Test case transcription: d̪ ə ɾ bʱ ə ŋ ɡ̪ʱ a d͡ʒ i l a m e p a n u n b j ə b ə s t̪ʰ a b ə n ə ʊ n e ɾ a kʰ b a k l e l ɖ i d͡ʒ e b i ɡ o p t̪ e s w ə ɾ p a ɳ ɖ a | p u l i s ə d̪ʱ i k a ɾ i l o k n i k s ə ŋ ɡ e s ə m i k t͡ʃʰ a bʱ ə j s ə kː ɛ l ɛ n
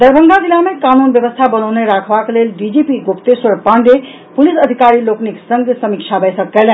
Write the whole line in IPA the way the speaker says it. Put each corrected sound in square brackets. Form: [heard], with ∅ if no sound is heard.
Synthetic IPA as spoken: d̪ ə ɾ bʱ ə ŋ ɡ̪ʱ a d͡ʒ i l a m e [k] a n u n b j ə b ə s t̪ʰ a b ə n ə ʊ n e ɾ a kʰ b a k l e l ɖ i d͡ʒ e [p] i ɡ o p t̪ e s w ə ɾ p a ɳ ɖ [e] | p u l i s ə d̪ʱ i k a ɾ i l o k n i k s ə ŋ ɡ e s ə m i k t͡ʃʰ a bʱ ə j s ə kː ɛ l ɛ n